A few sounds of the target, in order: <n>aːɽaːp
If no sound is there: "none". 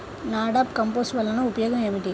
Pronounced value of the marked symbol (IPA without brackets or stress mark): n